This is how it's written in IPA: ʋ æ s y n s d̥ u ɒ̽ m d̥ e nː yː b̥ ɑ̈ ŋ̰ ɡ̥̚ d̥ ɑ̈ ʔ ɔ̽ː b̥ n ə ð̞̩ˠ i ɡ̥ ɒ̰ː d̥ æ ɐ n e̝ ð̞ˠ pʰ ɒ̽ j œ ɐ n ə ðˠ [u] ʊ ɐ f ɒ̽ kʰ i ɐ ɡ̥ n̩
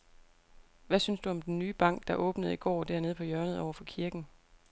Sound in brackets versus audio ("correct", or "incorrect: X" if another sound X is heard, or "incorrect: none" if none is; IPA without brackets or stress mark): incorrect: ɒ